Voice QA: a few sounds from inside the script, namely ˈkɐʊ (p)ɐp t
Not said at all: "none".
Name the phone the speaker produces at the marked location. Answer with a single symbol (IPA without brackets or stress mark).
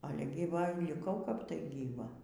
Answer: k